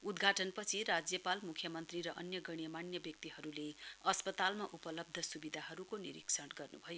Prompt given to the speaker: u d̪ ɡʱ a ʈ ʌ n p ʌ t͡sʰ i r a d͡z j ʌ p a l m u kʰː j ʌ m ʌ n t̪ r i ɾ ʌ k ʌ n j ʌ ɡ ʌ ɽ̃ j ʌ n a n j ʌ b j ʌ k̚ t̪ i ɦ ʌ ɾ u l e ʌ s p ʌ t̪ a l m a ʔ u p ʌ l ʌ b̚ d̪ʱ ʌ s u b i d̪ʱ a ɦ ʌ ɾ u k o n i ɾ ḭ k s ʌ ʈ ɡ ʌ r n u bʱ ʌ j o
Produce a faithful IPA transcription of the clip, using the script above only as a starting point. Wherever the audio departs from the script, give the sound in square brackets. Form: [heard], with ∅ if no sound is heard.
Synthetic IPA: u d̪ ɡʱ a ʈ ʌ n p ʌ t͡sʰ i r a d͡z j ʌ p a l m u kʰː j ʌ m ʌ n t̪ r i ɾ ʌ [ʔ] ʌ n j ʌ ɡ ʌ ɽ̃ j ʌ [m] a n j ʌ b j ʌ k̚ t̪ i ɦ ʌ ɾ u l e ʌ s p ʌ t̪ a l m a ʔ u p ʌ l ʌ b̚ d̪ʱ ʌ s u b i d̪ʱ a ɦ ʌ ɾ u k o n i ɾ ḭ k s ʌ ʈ ɡ ʌ r n u bʱ ʌ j o